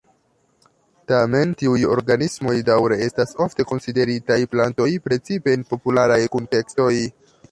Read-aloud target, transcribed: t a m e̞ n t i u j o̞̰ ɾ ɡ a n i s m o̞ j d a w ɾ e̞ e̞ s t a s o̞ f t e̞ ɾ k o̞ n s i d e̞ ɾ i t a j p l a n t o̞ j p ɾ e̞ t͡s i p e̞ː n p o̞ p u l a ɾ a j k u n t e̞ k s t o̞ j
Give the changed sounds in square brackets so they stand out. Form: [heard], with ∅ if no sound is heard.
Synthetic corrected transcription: t a m e̞ n t i u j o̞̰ ɾ ɡ a n i s m o̞ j d a w ɾ e̞ e̞ s t a s o̞ f t e̞ [∅] k o̞ n s i d e̞ ɾ i t a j p l a n t o̞ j p ɾ e̞ t͡s i p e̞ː n p o̞ p u l a ɾ a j k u n t e̞ k s t o̞ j

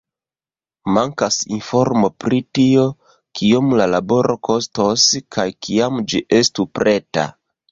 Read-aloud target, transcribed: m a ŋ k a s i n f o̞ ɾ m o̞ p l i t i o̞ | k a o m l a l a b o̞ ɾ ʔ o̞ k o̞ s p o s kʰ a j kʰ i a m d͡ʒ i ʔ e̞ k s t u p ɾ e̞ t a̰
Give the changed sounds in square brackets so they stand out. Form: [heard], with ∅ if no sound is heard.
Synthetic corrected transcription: m a ŋ k a s i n f o̞ ɾ m o̞ p [ɾ] i t i o̞ | k [i] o m l a l a b o̞ ɾ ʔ o̞ k o̞ s [t] o s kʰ a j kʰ i a m d͡ʒ i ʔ e̞ [∅] s t u p ɾ e̞ t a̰

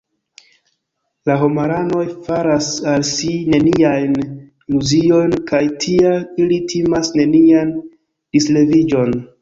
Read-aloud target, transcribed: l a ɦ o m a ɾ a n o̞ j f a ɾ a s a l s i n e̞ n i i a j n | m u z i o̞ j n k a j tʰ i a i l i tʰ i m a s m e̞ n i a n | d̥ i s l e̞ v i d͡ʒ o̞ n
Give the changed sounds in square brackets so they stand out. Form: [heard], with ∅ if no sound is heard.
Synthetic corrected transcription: l a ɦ o m a ɾ a n o̞ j f a ɾ a s a l s i n e̞ n i i a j n | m u z i o̞ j n k a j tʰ i a i l i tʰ i m a s [n] e̞ n i a n | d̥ i s l e̞ v i d͡ʒ o̞ n

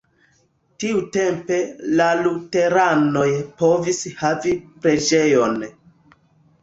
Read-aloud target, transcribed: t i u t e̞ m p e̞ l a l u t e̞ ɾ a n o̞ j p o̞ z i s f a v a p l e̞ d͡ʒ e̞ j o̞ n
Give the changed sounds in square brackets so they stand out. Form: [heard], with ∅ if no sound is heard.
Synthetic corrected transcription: t i u t e̞ m p e̞ l a l u t e̞ ɾ a n o̞ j p o̞ [v] i s [h] a v [i] p [ɾ] e̞ d͡ʒ e̞ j o̞ n

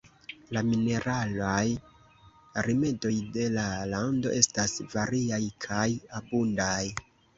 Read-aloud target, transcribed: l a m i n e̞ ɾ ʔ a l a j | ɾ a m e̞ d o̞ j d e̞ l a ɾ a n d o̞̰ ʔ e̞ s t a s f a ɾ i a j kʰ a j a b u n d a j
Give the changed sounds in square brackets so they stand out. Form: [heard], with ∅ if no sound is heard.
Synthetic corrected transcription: l a m i n e̞ ɾ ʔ a l a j | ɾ [i] m e̞ d o̞ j d e̞ l a [l] a n d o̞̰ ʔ e̞ s t a s [v] a ɾ i a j kʰ a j a b u n d a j

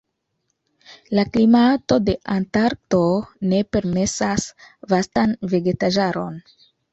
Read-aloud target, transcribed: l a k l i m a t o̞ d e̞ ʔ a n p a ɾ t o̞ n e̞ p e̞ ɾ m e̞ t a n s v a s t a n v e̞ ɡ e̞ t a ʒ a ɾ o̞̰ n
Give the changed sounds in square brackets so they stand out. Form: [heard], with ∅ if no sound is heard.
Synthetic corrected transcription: l a k l i m a t o̞ d e̞ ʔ a n [t] a ɾ t o̞ n e̞ p e̞ ɾ m e̞ [s] a [∅] s v a s t a n v e̞ ɡ e̞ t a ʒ a ɾ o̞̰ n

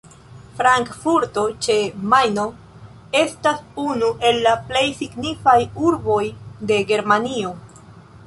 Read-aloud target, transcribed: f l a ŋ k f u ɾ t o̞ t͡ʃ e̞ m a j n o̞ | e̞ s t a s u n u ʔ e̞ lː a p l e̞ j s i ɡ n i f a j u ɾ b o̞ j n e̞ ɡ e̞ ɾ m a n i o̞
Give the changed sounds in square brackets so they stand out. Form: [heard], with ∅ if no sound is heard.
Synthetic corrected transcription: f [ɾ] a ŋ k f u ɾ t o̞ t͡ʃ e̞ m a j n o̞ | e̞ s t a s u n u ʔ e̞ lː a p l e̞ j s i ɡ n i f a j u ɾ b o̞ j [d] e̞ ɡ e̞ ɾ m a n i o̞

